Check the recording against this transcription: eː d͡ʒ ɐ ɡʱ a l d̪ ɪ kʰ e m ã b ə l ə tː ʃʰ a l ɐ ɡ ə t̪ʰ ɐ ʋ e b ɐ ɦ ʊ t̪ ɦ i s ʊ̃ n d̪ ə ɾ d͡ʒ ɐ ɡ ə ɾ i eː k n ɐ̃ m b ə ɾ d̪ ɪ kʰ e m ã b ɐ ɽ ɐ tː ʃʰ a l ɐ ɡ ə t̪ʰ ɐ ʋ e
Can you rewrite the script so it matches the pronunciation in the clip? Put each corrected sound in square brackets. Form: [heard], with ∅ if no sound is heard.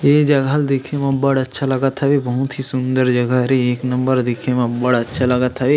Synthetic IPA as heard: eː d͡ʒ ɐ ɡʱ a l d̪ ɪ kʰ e m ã b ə [ɽ] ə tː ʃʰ a l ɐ ɡ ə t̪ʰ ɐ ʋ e b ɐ ɦ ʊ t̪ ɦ i s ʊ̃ n d̪ ə ɾ d͡ʒ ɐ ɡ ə ɾ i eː k n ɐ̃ m b ə ɾ d̪ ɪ kʰ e m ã b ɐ ɽ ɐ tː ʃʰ a l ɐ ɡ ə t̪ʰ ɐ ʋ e